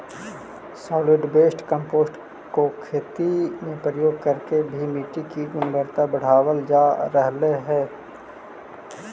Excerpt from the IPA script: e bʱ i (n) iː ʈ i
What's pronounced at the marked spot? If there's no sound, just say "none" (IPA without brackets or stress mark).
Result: m